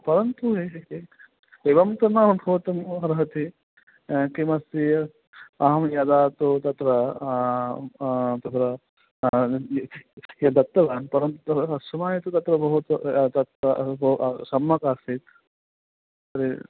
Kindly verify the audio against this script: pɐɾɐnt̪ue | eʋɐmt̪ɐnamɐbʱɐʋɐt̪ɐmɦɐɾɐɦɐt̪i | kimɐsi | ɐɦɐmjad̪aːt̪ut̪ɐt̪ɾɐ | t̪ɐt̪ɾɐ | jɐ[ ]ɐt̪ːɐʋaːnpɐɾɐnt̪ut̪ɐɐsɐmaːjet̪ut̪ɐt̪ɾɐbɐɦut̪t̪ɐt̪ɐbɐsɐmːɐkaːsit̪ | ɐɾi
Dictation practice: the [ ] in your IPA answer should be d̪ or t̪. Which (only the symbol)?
d̪